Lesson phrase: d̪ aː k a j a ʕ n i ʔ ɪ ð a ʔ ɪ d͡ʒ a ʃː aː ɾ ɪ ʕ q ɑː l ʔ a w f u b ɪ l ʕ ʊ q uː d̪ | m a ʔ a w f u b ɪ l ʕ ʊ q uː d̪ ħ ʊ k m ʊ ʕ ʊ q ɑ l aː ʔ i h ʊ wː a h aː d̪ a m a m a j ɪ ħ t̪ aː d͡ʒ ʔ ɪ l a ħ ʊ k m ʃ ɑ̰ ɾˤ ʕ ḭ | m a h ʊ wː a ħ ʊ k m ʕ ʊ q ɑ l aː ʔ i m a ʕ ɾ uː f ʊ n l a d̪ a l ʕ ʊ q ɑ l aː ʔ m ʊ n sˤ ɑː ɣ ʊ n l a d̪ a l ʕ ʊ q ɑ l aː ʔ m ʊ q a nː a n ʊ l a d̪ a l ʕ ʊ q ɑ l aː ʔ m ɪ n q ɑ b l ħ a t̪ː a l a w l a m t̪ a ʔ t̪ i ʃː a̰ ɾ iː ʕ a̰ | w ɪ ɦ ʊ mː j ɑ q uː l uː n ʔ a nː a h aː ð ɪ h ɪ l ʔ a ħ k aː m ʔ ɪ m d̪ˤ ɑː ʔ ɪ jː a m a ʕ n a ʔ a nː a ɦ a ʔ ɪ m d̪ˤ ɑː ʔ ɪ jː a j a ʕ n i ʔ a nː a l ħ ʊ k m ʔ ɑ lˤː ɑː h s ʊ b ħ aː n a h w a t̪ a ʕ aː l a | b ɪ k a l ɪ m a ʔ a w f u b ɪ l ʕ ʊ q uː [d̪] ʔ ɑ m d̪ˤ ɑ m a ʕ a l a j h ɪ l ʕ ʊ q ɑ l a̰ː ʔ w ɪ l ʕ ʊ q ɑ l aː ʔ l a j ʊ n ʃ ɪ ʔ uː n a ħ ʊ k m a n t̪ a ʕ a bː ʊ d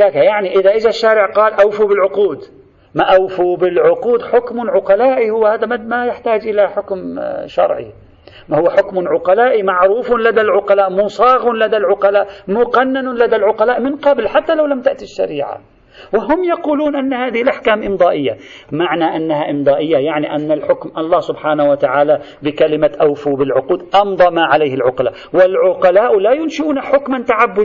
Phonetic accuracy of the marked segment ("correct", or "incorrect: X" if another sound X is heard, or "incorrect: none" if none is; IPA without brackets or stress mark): correct